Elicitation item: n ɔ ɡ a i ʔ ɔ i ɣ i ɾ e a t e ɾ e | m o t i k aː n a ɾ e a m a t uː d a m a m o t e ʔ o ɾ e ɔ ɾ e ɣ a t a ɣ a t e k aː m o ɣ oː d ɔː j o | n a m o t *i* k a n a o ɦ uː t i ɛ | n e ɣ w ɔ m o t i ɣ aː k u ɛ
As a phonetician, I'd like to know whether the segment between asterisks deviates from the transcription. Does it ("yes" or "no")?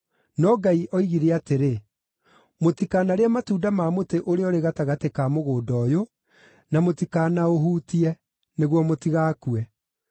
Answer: no